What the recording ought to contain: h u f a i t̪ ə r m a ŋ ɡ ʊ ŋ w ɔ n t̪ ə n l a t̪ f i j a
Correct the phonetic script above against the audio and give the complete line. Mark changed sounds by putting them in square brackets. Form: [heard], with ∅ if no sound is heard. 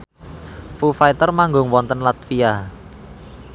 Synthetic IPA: [f] u f a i t̪ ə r m a ŋ ɡ ʊ ŋ w ɔ n t̪ ə n l a t̪ f i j a